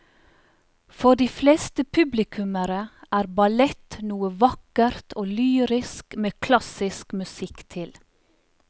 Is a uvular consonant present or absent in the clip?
absent